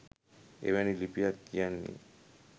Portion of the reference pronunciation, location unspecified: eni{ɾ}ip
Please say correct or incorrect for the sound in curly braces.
incorrect